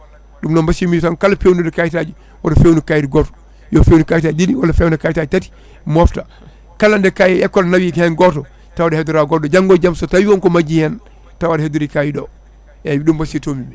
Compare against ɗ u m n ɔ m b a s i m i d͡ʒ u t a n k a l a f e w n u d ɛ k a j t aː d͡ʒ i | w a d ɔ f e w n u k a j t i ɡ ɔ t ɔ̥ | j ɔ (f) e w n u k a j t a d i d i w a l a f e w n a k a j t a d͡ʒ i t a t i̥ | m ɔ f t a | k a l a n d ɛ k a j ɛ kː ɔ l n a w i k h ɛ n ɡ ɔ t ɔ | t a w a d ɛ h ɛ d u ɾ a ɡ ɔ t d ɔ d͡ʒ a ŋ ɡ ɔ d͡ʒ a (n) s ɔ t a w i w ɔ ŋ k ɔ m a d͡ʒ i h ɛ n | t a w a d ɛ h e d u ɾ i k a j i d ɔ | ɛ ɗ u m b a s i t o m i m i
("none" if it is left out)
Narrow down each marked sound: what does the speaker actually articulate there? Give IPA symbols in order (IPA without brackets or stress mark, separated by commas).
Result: f, m